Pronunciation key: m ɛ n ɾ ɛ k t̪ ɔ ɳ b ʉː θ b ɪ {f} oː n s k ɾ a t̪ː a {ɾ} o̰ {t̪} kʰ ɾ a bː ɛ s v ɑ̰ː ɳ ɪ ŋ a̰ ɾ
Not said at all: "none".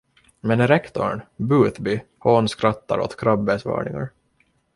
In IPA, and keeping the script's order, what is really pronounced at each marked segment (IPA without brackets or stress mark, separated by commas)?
h, ɾ, t̪